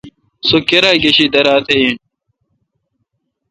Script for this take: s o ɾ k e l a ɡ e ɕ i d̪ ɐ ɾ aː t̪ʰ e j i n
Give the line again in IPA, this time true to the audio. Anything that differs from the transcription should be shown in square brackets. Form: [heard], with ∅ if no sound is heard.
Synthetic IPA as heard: s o [∅] k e [ɾ] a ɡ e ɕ i d̪ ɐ ɾ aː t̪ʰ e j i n